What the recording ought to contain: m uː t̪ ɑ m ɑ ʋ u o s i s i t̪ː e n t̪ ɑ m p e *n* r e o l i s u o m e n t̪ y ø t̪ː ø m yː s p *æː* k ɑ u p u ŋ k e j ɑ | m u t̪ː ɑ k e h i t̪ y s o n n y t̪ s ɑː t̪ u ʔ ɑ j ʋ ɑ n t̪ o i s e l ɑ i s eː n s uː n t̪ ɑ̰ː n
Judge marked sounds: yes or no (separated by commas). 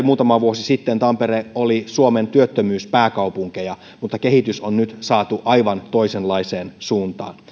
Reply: no, yes